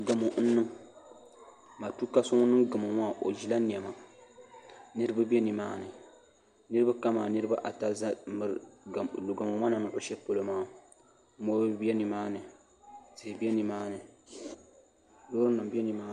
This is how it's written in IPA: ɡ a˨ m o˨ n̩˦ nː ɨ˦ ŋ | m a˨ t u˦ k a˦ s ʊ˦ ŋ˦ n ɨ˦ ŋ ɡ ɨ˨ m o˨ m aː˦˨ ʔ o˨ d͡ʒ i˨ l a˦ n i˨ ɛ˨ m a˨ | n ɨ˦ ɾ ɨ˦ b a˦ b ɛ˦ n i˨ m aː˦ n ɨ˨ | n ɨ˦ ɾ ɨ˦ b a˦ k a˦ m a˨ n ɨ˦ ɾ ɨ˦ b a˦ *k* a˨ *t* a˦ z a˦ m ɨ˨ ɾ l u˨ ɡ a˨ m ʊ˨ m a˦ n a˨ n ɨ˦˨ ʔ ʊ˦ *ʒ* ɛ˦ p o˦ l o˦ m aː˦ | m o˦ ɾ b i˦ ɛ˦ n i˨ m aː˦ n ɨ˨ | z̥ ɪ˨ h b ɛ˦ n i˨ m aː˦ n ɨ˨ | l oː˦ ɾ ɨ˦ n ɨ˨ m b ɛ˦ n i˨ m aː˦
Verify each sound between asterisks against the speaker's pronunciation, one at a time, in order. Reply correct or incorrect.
incorrect, correct, incorrect

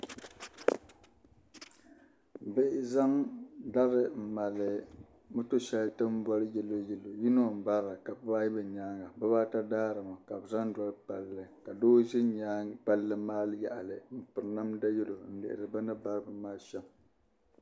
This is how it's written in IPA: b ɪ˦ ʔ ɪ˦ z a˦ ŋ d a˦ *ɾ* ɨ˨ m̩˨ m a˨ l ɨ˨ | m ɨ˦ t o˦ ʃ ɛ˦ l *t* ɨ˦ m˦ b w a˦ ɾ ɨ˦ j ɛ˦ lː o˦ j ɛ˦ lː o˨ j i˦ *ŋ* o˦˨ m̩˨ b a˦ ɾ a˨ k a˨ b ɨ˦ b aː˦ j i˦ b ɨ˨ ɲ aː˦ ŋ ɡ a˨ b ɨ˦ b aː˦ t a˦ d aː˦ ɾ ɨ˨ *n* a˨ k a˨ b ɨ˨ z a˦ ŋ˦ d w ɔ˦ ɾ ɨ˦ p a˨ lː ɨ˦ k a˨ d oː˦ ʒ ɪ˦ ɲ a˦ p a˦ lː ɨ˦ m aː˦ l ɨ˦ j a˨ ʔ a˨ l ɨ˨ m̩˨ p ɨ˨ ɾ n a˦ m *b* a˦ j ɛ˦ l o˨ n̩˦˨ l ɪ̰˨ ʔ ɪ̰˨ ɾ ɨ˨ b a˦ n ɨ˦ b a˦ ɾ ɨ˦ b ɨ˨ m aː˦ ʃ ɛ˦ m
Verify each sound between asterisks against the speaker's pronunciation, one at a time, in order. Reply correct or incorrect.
correct, correct, incorrect, incorrect, incorrect

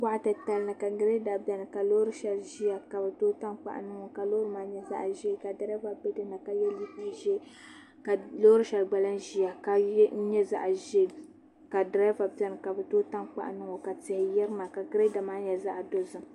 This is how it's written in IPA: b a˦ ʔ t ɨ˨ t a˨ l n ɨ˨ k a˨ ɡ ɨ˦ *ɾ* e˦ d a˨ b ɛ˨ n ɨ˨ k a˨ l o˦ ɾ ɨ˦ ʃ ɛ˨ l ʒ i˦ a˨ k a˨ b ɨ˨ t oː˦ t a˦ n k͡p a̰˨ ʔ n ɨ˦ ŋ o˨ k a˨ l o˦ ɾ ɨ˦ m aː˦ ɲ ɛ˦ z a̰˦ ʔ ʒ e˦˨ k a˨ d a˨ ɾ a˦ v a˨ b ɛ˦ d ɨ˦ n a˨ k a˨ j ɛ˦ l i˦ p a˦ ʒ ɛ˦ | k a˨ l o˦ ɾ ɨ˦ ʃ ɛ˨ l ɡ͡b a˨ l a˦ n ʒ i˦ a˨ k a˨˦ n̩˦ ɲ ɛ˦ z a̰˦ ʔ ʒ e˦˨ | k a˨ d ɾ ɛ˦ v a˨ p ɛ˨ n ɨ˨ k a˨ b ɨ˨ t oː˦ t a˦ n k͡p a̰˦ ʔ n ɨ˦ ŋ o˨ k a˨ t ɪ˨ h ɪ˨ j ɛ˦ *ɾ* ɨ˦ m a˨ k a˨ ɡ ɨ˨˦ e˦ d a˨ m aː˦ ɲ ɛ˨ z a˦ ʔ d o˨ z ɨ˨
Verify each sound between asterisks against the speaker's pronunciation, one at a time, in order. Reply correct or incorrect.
correct, correct

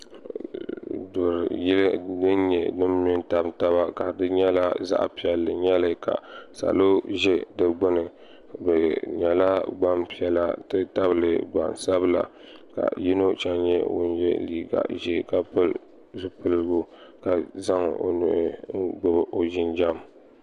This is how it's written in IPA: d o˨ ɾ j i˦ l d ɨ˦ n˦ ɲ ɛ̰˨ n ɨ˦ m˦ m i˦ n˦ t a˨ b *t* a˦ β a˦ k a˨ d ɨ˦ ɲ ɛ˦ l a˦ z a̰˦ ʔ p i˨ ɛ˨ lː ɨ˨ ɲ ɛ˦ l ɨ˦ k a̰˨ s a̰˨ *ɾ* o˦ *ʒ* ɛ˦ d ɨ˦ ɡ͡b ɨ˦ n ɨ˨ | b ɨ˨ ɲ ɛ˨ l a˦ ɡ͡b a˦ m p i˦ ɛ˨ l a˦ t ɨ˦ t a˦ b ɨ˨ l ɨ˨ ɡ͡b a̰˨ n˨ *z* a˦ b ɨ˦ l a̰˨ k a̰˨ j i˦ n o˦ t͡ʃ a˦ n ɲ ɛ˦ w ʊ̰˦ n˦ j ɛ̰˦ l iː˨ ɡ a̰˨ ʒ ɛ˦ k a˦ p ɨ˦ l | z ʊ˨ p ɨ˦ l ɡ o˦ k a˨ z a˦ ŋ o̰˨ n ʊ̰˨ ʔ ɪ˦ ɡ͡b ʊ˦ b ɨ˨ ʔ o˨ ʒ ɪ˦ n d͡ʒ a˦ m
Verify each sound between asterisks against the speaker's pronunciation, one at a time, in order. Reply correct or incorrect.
correct, incorrect, correct, incorrect

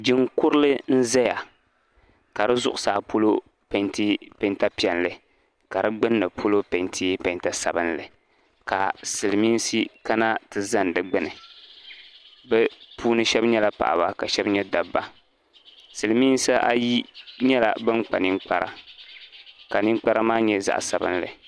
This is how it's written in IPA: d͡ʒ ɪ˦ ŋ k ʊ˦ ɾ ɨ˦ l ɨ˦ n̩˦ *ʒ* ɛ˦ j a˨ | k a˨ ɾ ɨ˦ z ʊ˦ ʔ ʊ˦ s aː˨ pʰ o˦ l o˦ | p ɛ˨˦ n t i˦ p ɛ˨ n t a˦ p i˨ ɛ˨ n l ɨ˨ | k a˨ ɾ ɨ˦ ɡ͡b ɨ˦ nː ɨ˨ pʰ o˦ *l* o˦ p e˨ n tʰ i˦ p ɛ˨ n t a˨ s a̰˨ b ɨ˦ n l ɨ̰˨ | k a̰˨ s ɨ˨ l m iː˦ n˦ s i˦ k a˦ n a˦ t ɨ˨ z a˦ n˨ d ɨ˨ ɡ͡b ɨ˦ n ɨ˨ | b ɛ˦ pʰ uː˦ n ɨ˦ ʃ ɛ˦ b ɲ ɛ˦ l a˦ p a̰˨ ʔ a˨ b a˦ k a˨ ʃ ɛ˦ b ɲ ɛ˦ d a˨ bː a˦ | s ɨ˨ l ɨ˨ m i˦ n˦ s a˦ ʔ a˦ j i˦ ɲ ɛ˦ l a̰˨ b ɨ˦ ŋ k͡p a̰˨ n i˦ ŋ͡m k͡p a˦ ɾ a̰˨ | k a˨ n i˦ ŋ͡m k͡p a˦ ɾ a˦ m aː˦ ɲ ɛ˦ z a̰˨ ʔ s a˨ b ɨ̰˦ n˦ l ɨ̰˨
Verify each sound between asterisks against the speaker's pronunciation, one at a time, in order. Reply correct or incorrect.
incorrect, correct

